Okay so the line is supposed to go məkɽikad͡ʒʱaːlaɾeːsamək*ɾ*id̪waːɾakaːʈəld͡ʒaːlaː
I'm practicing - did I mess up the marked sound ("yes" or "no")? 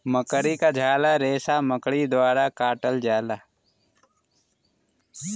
yes